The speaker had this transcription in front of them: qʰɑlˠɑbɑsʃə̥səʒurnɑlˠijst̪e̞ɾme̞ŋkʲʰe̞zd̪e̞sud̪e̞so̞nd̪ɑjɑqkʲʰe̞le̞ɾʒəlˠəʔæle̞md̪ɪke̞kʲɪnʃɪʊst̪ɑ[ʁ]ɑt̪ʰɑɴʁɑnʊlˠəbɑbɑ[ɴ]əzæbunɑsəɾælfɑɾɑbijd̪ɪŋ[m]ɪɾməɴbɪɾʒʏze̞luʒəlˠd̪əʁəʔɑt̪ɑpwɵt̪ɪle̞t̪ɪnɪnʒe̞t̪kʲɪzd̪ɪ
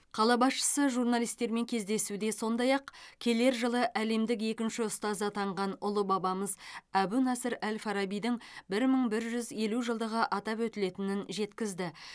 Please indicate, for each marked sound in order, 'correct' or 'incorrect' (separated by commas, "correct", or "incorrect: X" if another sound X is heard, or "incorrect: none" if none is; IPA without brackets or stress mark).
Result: incorrect: z, incorrect: m, incorrect: b